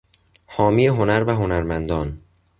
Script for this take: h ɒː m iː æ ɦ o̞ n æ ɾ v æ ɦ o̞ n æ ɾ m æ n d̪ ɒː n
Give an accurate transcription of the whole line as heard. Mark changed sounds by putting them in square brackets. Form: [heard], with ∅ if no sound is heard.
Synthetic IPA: h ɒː m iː [e] ɦ o̞ n æ ɾ v æ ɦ o̞ n æ ɾ m æ n d̪ ɒː n